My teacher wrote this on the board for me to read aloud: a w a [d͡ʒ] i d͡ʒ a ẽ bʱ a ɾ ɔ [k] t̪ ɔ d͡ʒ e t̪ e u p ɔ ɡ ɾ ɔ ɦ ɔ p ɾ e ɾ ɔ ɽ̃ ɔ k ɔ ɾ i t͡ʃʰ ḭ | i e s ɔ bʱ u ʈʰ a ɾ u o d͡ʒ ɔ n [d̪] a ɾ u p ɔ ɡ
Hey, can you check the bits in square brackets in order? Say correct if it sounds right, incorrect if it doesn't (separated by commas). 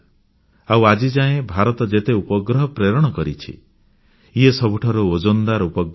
correct, incorrect, correct